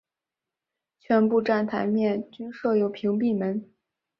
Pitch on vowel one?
rising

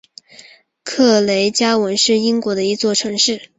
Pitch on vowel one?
falling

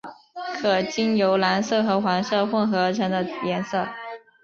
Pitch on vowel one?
low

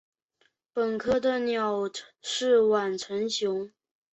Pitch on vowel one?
low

